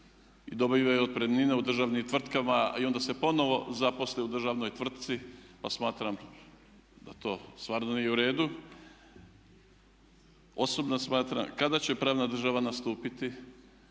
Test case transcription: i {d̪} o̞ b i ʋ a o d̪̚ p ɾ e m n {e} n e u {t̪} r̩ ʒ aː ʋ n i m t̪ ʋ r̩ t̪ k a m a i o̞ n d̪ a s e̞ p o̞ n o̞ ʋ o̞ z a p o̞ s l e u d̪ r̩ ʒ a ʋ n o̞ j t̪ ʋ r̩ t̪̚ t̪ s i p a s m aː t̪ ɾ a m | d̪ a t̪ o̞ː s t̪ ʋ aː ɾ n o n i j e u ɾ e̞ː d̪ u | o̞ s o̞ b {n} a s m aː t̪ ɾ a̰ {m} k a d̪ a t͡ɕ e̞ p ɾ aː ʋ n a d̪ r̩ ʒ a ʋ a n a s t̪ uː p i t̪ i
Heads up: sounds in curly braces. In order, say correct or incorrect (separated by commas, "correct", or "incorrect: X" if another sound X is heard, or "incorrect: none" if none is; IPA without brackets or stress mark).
correct, incorrect: i, incorrect: d̪, correct, correct